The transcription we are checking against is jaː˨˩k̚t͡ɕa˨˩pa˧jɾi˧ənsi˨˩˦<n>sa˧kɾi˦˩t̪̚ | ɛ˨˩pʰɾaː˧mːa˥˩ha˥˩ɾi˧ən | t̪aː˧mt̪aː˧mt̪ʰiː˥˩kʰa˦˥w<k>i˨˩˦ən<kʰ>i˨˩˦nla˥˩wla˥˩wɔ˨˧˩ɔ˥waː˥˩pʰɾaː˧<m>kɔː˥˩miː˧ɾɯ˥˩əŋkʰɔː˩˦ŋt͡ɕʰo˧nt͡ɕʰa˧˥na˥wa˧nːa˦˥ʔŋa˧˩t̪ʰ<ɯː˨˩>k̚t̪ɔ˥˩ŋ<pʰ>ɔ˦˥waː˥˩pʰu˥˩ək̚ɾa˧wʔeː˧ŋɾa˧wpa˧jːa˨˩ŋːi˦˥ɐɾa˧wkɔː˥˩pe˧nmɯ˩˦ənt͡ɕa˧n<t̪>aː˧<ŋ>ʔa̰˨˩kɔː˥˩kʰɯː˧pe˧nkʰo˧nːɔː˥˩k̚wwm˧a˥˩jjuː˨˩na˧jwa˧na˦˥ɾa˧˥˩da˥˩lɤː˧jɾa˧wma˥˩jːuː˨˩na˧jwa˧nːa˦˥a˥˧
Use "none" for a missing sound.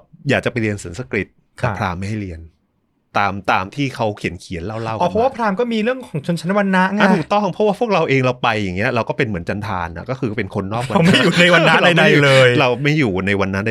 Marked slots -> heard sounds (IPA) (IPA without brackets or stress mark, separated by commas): n, kʰ, kʰ, m, uː˨˩, pʰ, t̪ʰ, n